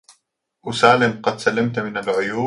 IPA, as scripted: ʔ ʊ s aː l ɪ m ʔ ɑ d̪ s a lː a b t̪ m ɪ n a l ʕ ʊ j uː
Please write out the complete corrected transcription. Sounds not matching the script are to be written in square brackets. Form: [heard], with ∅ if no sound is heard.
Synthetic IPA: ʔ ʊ s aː l ɪ m [q] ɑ d̪ s a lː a [m] t̪ m ɪ n a l ʕ ʊ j uː